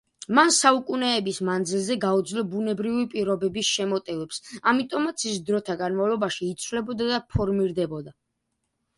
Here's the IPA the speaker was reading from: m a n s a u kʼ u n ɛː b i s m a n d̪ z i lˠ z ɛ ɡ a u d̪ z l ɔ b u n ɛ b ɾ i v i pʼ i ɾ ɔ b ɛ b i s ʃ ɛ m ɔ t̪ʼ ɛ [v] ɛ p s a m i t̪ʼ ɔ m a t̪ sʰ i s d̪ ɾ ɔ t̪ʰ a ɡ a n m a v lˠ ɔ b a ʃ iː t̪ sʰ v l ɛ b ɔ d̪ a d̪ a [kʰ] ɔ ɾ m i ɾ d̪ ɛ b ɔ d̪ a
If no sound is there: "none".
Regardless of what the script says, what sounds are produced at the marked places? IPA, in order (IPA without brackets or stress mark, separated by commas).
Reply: v, pʰ